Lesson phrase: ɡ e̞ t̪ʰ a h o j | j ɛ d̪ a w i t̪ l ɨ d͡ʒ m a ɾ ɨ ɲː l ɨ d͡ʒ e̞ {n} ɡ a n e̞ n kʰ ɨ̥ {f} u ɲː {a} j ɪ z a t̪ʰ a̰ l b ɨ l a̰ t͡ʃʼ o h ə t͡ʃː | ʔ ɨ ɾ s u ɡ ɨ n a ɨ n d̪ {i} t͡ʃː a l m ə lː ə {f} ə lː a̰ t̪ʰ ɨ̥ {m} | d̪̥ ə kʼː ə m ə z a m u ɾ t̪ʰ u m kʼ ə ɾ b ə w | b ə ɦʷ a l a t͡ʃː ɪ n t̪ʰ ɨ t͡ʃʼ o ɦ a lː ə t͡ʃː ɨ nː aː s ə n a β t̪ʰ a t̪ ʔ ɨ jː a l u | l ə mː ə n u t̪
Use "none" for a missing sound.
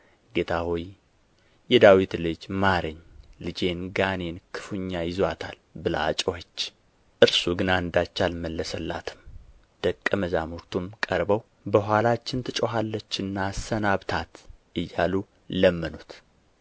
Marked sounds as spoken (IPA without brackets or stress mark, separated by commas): n, f, a, a, s, m